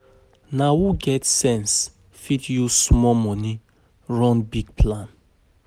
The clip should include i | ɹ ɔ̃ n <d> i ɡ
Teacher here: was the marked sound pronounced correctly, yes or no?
no